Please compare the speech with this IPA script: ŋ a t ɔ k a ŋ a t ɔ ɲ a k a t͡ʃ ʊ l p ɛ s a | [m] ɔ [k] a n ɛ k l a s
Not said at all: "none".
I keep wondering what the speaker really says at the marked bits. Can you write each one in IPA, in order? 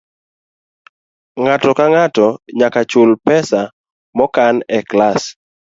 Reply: m, k

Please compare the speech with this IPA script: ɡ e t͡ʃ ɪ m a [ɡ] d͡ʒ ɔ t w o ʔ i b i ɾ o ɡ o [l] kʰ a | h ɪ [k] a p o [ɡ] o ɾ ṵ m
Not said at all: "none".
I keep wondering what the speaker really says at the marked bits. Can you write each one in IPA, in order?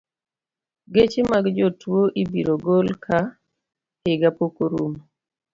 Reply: ɡ, l, ɡ, k

